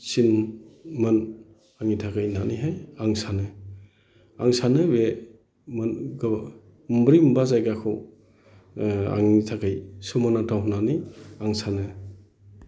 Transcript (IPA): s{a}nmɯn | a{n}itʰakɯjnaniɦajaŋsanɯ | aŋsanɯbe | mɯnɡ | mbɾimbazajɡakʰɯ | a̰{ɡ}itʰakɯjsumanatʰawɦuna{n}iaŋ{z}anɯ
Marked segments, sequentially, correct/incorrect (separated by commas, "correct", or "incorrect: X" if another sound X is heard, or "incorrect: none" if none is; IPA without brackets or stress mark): incorrect: i, incorrect: ŋ, incorrect: ŋ, correct, incorrect: s